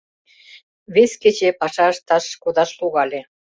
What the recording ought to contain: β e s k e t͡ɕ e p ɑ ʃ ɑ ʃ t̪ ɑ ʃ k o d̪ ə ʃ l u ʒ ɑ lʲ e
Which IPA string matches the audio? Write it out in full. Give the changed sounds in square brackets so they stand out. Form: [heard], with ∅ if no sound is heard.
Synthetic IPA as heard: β e s k e t͡ɕ e p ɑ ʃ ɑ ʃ t̪ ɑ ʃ k o d̪ [ɑ] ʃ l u [ɣ] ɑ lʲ e